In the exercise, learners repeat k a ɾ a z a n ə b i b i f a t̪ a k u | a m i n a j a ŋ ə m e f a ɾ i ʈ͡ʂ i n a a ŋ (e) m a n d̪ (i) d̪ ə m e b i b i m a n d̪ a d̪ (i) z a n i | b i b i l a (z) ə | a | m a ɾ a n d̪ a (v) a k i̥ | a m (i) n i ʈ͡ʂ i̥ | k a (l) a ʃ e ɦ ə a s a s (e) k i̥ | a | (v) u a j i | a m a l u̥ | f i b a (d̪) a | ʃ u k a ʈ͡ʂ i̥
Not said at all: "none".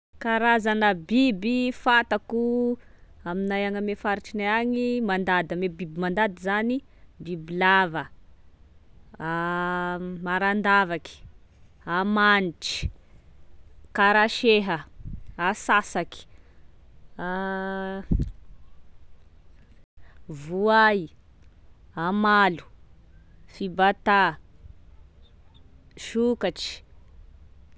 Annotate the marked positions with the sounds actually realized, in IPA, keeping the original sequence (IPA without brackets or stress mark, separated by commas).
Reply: i, a, i, v, v, a, ɾ, a, v, t̪